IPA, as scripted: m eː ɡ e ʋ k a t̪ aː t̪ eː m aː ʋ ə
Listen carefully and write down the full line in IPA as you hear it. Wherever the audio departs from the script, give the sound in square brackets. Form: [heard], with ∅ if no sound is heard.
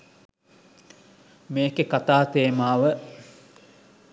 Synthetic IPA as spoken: m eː [k] e [∅] k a t̪ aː t̪ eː m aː ʋ ə